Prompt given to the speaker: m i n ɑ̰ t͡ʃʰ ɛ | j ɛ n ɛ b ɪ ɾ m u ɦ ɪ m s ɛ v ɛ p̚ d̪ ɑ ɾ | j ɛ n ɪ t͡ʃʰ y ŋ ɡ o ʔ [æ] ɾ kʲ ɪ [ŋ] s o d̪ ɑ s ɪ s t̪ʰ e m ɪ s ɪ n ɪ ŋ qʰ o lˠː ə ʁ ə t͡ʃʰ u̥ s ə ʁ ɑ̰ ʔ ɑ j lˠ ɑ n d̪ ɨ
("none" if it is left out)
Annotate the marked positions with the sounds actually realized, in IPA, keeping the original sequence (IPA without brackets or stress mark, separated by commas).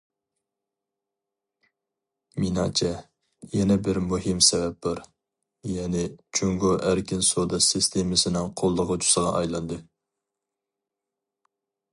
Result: æ, n